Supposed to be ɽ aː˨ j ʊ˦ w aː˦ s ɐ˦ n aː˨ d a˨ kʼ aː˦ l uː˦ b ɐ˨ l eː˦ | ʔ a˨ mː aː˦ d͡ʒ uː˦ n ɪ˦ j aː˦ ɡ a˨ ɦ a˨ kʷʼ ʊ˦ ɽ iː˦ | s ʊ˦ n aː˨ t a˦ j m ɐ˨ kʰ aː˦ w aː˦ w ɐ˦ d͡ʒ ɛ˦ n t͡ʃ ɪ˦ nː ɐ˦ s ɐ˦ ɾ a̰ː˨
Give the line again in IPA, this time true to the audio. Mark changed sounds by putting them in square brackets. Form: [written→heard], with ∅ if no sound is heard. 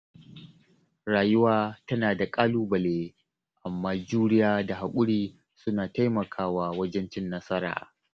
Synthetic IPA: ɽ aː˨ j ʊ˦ w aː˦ [s→t] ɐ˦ n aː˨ d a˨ kʼ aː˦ l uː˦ b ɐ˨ l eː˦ | ʔ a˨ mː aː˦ d͡ʒ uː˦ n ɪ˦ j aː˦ [ɡ→d] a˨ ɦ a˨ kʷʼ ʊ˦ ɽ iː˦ | s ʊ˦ n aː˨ t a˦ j m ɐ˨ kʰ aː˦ w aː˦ w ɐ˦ d͡ʒ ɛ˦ n t͡ʃ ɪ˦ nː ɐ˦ s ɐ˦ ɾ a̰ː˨